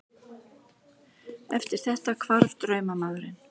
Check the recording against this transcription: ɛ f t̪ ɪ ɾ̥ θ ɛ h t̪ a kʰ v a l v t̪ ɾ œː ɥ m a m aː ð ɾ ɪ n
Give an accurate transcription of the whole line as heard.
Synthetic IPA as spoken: ɛ f t̪ ɪ ɾ̥ θ ɛ h t̪ a kʰ v a ɾ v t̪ ɾ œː ɥ m a m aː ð ɾ ɪ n